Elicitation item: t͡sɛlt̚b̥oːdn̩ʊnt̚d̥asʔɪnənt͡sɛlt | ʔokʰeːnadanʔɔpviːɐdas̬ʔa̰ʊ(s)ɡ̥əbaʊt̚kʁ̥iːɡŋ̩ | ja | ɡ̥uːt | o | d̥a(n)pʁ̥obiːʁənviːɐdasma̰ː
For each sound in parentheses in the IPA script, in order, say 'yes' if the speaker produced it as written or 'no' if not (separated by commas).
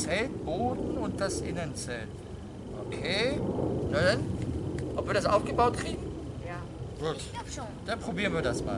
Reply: no, yes